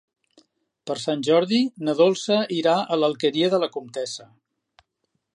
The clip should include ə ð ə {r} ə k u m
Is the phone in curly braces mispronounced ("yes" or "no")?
yes